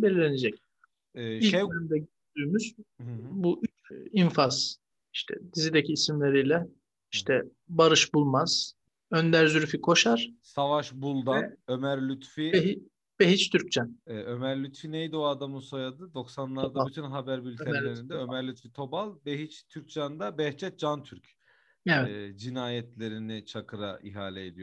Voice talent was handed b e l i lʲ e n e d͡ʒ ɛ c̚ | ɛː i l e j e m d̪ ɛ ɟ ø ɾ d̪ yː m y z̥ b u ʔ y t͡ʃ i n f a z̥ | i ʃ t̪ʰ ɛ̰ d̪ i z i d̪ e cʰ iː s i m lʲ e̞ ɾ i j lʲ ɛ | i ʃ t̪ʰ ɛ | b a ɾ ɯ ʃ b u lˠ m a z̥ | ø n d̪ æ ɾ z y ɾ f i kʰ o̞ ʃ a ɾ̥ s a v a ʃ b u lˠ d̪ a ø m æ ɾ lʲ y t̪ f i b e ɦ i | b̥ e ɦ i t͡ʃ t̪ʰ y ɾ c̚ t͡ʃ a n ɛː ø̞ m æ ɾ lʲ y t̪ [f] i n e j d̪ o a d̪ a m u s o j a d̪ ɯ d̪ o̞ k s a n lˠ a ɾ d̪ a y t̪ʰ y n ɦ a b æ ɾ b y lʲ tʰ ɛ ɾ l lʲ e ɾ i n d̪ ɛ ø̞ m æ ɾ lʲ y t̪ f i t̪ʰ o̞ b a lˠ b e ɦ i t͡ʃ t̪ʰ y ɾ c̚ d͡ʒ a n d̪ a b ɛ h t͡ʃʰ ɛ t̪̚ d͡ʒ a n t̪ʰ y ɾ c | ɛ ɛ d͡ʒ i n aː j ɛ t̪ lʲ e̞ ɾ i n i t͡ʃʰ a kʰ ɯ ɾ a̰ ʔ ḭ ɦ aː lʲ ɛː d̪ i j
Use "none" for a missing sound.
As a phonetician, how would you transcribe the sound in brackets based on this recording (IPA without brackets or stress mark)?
f